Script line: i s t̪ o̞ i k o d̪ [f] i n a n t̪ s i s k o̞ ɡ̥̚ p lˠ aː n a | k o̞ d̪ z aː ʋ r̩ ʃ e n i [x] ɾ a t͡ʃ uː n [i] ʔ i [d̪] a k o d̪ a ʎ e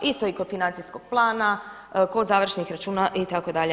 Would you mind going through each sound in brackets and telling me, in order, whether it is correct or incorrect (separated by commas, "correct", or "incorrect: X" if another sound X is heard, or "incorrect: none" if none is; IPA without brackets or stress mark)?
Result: correct, correct, incorrect: a, incorrect: t̪